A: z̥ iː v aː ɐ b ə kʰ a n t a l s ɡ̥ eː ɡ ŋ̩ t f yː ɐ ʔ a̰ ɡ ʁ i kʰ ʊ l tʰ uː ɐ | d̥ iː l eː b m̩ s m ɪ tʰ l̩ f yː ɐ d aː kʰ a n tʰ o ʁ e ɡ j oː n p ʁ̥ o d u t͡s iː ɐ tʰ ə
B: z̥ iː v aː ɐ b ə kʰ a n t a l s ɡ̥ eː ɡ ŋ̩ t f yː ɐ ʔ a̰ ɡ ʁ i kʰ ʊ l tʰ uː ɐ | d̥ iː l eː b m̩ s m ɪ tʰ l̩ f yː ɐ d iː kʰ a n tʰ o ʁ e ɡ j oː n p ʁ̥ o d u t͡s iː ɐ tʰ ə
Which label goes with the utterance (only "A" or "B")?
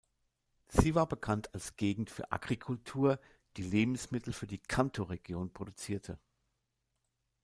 B